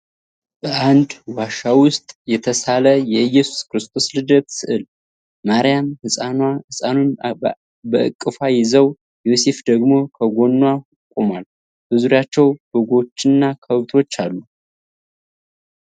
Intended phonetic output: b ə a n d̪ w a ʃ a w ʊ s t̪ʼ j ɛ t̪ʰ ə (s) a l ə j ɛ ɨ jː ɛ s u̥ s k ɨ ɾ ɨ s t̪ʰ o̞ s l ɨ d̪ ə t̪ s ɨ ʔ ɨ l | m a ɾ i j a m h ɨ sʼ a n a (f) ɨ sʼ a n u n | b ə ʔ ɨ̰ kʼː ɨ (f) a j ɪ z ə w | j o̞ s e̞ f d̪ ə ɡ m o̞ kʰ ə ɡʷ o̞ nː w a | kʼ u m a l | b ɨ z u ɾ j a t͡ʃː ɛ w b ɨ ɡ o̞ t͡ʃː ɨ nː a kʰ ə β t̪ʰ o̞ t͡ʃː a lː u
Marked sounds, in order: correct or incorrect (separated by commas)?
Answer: correct, incorrect, correct